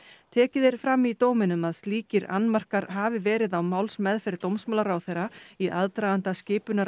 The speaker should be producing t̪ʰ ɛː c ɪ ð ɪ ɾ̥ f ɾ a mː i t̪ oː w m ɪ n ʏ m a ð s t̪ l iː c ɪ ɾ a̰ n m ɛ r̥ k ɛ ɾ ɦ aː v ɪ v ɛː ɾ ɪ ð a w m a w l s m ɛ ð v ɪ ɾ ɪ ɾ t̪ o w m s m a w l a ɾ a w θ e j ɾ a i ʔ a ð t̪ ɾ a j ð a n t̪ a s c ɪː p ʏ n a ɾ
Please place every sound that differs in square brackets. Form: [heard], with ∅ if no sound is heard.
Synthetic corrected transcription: t̪ʰ ɛː c ɪ ð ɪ ɾ̥ f ɾ a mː i t̪ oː w m ɪ n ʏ m a ð s t̪ l iː c ɪ ɾ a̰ n m [a] r̥ k [a] ɾ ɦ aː v ɪ v ɛː ɾ ɪ ð a w m a w l s m ɛ ð [f] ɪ ɾ ɪ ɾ t̪ o w m s m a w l a ɾ a w θ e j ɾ a i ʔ a ð t̪ ɾ a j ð a n t̪ a s c ɪː p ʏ n a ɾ

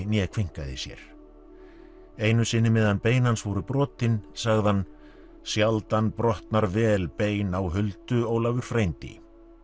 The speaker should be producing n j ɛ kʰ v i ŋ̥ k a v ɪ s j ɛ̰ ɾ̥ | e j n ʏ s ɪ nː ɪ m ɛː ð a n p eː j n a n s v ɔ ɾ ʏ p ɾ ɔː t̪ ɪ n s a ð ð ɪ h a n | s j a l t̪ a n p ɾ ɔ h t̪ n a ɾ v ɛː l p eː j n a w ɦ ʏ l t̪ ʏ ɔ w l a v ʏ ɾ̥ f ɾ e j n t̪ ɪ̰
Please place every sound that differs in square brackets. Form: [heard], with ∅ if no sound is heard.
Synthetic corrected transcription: n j ɛ kʰ v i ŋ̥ k a [ð] ɪ s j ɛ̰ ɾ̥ | e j n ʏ s ɪ nː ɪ m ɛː ð a n p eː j n a n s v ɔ ɾ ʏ p ɾ ɔː t̪ ɪ n s a [ɣ] ð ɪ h a n | s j a l t̪ a n p ɾ ɔ h t̪ n a ɾ v ɛː l p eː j n a w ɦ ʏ l t̪ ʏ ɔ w l a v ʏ ɾ̥ f ɾ e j n t̪ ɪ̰

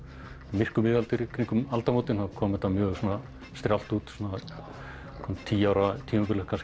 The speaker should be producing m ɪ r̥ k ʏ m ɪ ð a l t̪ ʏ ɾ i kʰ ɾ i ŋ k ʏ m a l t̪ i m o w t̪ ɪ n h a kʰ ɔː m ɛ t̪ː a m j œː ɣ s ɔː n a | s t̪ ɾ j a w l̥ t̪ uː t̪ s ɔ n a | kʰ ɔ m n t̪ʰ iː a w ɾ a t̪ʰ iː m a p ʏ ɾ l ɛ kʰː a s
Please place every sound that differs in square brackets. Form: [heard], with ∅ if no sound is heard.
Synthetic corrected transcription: m ɪ r̥ k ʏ m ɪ ð a l t̪ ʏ ɾ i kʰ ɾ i ŋ k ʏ m a l t̪ [a] m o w t̪ ɪ n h a kʰ ɔː m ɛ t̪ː a m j œː ɣ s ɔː n a | s t̪ ɾ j a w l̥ t̪ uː t̪ s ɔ n a | kʰ ɔ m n t̪ʰ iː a w ɾ a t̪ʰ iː m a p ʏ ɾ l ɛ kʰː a s

